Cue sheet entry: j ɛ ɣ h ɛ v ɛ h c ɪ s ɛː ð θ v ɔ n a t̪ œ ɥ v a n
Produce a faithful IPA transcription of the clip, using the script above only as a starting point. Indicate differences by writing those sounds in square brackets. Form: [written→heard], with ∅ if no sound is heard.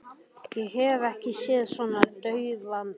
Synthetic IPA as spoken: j ɛ ɣ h ɛ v ɛ h c ɪ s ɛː ð [θ→s] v ɔ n a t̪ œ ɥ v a n